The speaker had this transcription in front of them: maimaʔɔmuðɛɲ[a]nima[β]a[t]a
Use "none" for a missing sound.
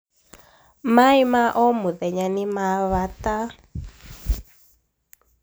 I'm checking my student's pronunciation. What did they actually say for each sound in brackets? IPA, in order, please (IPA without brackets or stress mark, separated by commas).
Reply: a, β, t